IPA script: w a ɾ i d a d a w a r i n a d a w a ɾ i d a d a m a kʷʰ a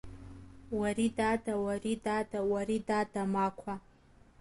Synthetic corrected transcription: w a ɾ i d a d a w a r i d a d a w a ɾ i d a d a m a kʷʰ a

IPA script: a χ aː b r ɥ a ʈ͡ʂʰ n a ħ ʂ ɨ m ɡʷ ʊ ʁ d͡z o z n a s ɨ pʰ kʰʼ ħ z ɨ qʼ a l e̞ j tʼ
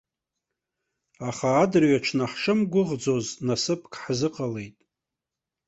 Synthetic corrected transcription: a χ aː d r ɥ a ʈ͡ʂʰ n a ħ ʂ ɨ m ɡʷ ʊ ʁ d͡z o z n a s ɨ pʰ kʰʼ ħ z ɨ qʼ a l e̞ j tʼ

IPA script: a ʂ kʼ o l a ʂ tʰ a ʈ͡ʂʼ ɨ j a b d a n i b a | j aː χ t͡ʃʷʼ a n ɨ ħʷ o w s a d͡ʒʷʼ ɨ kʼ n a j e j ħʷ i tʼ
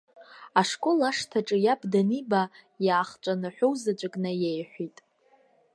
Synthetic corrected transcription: a ʂ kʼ o l a ʂ tʰ a ʈ͡ʂʼ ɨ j a b d a n i b a | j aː χ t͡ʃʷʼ a n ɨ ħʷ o w z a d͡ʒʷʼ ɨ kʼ n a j e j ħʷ i tʼ

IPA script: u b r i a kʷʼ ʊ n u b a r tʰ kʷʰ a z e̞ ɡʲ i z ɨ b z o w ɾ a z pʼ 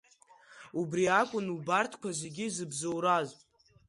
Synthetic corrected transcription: u b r i a kʷʼ ʊ n u b a r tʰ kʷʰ a z e̞ ɡʲ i z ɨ b z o w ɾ a z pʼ

